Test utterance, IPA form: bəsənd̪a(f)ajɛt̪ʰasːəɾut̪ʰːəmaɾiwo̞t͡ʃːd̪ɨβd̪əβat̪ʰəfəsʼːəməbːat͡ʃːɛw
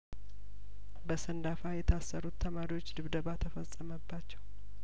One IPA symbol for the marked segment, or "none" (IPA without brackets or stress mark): f